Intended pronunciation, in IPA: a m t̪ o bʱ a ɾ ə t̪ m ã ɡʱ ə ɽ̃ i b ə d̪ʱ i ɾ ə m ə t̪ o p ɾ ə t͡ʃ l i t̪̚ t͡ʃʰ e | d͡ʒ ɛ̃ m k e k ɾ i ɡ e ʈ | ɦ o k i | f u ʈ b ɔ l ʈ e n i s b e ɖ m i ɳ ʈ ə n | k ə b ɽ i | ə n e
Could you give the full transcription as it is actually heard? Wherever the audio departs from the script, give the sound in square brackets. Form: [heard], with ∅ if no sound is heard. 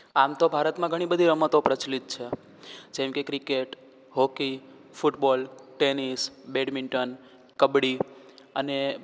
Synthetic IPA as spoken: a m t̪ o bʱ a ɾ ə t̪ m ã ɡʱ ə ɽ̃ i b ə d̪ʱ i ɾ ə m ə t̪ o p ɾ ə t͡ʃ l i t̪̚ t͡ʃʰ e | d͡ʒ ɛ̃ m k e k ɾ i [k] e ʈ | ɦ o k i | f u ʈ b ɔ l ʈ e n i s b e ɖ m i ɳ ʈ ə n | k ə b ɽ i | ə n e